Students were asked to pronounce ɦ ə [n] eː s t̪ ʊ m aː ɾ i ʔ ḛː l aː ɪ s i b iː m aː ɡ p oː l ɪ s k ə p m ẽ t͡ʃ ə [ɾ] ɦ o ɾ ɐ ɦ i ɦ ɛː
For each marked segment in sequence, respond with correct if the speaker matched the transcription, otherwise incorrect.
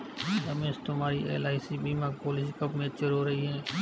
incorrect: m, correct

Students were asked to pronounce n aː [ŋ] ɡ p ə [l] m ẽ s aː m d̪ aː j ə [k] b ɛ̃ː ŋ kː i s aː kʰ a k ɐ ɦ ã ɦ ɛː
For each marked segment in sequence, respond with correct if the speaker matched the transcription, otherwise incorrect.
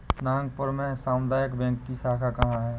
correct, incorrect: ɾ, correct

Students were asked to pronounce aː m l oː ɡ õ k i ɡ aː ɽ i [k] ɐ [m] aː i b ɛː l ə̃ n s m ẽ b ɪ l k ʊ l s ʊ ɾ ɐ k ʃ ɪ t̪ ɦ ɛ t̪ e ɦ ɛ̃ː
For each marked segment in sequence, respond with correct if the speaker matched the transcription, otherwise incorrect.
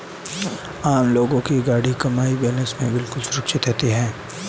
correct, correct

